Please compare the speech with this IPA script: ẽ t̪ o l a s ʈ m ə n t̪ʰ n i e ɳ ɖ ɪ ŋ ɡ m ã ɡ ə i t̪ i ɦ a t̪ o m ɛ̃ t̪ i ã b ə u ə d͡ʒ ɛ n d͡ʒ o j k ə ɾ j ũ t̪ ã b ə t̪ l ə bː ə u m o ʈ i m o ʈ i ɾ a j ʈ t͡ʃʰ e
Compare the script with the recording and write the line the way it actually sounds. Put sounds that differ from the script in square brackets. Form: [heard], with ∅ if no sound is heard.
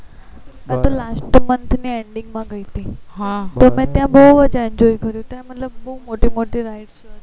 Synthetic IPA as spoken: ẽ t̪ o l a s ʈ m ə n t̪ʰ n i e ɳ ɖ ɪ ŋ ɡ m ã ɡ ə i t̪ i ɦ a t̪ o m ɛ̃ t̪ [j] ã b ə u ə d͡ʒ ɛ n d͡ʒ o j k ə ɾ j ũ t̪ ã [m] ə t̪ l ə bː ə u m o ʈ i m o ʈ i ɾ a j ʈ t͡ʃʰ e